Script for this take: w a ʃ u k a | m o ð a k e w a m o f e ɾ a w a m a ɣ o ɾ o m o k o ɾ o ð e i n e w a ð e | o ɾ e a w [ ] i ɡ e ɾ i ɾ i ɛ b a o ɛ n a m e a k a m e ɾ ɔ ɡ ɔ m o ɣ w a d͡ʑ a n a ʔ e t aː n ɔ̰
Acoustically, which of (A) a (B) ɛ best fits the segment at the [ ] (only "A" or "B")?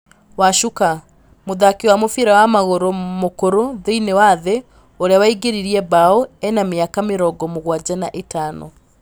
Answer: A